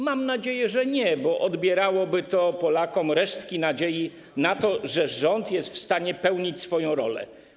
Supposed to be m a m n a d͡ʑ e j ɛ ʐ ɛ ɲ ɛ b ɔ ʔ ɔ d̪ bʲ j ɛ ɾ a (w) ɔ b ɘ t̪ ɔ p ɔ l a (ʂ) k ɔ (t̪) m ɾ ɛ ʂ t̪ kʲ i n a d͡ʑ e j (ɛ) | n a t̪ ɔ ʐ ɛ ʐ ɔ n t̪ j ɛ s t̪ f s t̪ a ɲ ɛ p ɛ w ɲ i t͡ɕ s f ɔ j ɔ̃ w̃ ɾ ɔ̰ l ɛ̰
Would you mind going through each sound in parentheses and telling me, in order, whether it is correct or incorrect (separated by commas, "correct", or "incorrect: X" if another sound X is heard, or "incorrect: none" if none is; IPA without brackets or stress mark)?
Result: correct, incorrect: none, incorrect: none, incorrect: i